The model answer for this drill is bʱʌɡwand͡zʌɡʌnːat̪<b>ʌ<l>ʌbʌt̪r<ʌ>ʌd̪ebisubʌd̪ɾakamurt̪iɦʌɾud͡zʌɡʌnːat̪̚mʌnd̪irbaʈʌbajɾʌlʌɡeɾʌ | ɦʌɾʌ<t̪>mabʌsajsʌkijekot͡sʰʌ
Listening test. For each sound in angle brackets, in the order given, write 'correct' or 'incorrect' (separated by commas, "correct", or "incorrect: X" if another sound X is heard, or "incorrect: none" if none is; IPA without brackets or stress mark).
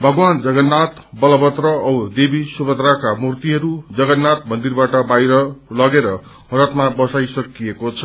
correct, correct, correct, correct